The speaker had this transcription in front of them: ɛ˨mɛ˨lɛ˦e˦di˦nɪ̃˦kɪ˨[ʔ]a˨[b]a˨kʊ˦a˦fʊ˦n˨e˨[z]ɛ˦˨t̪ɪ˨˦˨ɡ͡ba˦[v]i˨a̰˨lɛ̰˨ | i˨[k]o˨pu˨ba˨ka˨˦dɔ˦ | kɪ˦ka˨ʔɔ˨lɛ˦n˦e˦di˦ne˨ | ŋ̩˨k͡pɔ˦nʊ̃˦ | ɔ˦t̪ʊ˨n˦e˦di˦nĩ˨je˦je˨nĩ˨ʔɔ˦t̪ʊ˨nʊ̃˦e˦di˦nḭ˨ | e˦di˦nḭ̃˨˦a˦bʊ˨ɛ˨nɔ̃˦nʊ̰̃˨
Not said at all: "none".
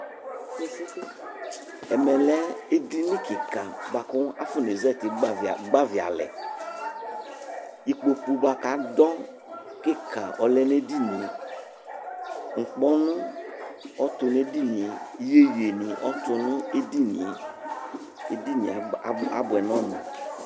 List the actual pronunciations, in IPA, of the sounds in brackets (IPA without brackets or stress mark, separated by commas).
k, b, z, v, k͡p